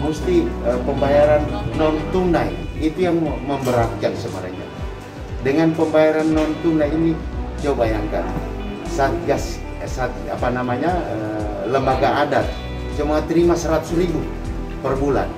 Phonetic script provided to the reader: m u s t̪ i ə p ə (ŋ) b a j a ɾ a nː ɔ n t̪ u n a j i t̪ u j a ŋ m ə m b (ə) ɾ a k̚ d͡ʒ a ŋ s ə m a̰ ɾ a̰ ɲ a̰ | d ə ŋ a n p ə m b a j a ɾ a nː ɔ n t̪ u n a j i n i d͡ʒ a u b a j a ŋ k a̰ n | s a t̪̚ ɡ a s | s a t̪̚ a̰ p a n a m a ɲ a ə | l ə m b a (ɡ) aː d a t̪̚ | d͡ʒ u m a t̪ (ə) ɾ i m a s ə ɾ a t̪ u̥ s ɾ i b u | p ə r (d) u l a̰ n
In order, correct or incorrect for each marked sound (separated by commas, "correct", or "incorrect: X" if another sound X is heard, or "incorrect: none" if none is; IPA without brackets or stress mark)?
incorrect: m, correct, correct, correct, incorrect: b